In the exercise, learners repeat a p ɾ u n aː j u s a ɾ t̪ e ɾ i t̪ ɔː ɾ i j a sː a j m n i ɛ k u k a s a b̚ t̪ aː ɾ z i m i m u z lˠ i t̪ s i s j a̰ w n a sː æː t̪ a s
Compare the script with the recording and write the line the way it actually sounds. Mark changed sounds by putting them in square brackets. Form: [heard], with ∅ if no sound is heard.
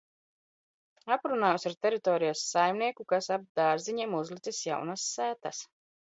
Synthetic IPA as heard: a p ɾ u n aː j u s a ɾ t̪ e ɾ i t̪ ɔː ɾ i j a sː a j m n i ɛ k u k a s a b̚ [d̪] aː ɾ z i [ɲ] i m u z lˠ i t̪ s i s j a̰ w n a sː æː t̪ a s